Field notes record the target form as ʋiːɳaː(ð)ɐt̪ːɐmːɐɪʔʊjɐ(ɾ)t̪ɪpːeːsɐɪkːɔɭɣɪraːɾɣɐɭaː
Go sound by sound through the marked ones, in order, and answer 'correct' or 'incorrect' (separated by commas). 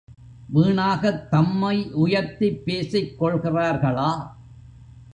incorrect, correct